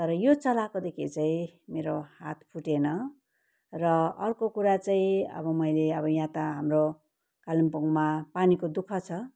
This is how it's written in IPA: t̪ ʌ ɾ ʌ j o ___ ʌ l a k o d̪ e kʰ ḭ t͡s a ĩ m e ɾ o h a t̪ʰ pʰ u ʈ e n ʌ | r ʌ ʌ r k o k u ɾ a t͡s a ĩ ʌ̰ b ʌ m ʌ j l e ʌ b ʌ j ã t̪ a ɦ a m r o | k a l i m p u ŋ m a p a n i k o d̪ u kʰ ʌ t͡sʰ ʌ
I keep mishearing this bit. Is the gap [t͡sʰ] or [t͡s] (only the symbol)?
t͡s